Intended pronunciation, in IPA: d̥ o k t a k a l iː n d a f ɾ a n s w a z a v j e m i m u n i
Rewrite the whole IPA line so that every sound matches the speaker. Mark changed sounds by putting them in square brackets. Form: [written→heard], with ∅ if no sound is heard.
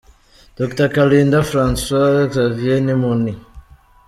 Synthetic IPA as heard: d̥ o k t a k a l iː n d a f ɾ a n s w a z a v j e [m→n] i m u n i

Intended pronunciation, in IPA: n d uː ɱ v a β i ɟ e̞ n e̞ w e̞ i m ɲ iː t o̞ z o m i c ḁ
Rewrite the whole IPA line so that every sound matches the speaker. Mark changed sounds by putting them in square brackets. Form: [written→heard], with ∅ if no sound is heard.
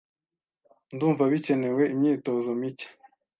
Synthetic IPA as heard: n d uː ɱ v a β i [ɟ→c] e̞ n e̞ w e̞ i m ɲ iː t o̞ z o m i c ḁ

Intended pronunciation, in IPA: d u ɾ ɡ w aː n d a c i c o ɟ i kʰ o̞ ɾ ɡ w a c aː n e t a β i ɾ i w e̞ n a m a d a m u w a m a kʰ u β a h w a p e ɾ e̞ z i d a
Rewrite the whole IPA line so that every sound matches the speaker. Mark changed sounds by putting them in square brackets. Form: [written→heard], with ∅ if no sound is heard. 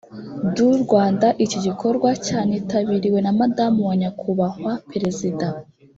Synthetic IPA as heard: d u ɾ ɡ w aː n d a [c→ʔ] i c o ɟ i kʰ o̞ ɾ ɡ w a c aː n e t a β i ɾ i w e̞ n a m a d a m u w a [m→ɲ] a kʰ u β a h w a p e ɾ e̞ z i d a

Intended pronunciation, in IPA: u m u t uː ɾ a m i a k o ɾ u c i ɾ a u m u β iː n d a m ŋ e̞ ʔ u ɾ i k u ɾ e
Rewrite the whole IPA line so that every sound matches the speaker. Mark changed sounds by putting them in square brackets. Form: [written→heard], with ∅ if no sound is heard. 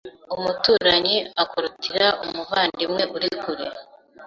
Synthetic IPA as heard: u m u t uː ɾ a [m→ɲ] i a k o ɾ u [c→t] i ɾ a u m u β [iː→aː] n d [a→i] m ŋ e̞ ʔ u ɾ i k u ɾ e

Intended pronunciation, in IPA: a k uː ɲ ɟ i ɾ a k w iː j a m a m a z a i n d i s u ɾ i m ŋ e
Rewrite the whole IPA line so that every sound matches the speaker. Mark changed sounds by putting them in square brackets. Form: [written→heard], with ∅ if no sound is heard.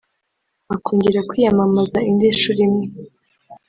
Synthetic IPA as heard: a k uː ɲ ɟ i ɾ a k w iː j a m a m a z a i n d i [s→ʃ] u ɾ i m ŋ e

